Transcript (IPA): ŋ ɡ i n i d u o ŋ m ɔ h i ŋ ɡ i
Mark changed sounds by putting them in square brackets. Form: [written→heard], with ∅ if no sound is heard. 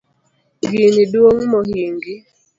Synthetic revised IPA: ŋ ɡ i n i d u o ŋ m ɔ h i ŋ ɡ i